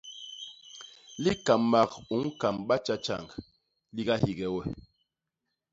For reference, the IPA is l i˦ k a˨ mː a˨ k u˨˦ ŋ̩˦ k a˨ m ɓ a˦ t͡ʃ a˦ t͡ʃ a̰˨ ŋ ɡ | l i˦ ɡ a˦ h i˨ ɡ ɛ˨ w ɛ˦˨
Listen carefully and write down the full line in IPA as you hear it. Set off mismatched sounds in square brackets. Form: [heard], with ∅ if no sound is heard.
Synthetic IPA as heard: l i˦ k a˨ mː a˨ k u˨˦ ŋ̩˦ k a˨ m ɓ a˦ t͡ʃ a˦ t͡ʃ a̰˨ ŋ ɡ | l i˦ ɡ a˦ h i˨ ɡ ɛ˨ w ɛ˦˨